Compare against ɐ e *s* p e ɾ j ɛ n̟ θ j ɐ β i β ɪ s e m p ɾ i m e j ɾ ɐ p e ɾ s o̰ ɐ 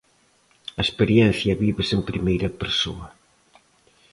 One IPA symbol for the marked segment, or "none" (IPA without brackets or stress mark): s